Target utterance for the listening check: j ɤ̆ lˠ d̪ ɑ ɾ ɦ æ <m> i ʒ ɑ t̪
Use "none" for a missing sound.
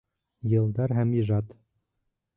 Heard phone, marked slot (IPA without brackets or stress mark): m